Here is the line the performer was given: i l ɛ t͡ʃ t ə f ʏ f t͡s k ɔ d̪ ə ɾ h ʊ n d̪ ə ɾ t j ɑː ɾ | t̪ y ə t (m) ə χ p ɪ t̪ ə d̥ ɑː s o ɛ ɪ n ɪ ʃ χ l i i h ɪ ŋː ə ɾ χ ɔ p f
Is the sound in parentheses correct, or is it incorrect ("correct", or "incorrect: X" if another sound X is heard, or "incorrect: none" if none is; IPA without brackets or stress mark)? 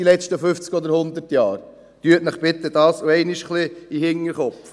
incorrect: n